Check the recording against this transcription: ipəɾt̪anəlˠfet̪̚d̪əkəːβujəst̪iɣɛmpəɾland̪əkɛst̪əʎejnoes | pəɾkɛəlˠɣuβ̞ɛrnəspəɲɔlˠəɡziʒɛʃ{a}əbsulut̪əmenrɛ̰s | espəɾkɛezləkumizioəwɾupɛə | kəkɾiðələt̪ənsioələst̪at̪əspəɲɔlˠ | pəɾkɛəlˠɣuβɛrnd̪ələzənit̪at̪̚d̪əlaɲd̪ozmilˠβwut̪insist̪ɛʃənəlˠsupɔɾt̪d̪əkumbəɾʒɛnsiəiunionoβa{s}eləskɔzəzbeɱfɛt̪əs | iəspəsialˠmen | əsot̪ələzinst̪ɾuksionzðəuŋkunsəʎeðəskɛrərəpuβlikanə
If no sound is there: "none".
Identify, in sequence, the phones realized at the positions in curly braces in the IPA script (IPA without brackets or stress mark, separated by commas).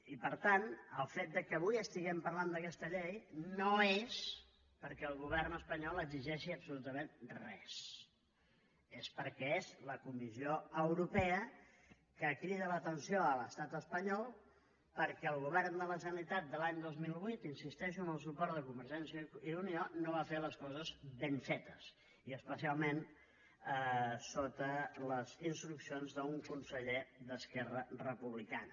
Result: i, f